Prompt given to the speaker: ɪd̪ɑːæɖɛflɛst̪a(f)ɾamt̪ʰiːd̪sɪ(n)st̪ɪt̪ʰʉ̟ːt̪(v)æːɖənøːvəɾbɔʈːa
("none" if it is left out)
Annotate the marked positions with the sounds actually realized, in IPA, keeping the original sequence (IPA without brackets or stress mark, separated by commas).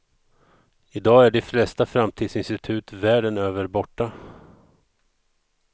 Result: f, n, v